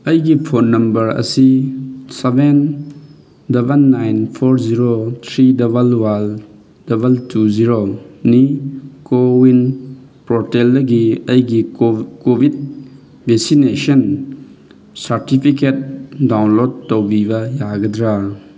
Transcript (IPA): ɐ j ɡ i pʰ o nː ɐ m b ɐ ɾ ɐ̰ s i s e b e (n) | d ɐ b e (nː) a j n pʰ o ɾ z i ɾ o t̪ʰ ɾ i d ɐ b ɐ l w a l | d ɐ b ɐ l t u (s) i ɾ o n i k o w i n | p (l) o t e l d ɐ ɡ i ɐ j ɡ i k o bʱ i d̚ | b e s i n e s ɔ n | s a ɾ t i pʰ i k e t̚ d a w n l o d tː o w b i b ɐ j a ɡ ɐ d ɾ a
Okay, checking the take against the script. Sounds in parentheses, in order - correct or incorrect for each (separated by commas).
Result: correct, correct, incorrect, incorrect